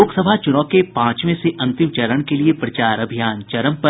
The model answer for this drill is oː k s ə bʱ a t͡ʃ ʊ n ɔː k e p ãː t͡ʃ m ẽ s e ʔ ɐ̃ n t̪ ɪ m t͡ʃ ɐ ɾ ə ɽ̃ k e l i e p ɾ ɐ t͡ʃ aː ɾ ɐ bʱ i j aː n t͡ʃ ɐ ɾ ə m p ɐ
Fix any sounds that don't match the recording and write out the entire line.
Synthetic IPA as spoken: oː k s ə bʱ a t͡ʃ ʊ n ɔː k e p ãː t͡ʃ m ẽ s e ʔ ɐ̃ n t̪ ɪ m t͡ʃ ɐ ɾ ə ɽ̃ k e l i e p ɾ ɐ t͡ʃ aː ɾ ɐ bʱ i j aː n t͡ʃ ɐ ɾ ə m p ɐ